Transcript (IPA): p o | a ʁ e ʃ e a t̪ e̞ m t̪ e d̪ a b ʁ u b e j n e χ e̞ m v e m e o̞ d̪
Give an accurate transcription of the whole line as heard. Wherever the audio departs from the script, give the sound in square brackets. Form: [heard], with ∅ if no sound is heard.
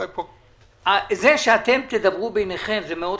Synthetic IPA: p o | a [z] e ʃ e a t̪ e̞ m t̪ e d̪ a b ʁ u b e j n e χ e̞ m [z] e m e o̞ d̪